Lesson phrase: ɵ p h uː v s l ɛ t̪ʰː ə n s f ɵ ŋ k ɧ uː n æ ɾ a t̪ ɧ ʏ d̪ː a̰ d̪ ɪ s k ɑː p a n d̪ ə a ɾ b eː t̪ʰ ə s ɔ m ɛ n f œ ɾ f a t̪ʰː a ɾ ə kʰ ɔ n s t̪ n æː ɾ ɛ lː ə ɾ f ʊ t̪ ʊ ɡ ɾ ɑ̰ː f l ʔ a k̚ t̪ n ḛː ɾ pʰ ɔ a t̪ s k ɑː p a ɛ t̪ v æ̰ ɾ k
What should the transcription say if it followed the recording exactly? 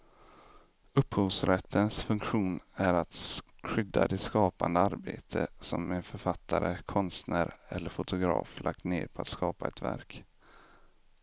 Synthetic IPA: ɵ p h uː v s ɾ ɛ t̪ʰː ə n s f ɵ ŋ k ɧ uː n æ ɾ a t̪ ɧ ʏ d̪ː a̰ d̪ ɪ s k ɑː p a n d̪ ə a ɾ b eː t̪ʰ ə s ɔ m ɛ n f œ ɾ f a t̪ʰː a ɾ ə kʰ ɔ n s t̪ n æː ɾ ɛ lː ə ɾ f ʊ t̪ ʊ ɡ ɾ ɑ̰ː f l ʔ a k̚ t̪ n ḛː ɾ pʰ ɔ a t̪ s k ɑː p a ɛ t̪ v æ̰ ɾ k